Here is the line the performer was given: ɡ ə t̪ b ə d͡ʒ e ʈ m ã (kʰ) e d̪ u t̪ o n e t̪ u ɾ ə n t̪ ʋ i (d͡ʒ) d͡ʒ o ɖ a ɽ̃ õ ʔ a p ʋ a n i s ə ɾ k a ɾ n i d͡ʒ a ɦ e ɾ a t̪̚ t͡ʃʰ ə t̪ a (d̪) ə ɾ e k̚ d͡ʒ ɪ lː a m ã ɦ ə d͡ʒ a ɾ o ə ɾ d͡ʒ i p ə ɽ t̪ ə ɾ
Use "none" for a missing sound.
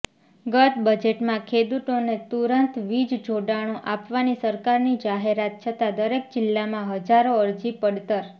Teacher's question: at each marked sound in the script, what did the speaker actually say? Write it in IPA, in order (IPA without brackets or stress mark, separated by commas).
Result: kʰ, d͡ʒ, d̪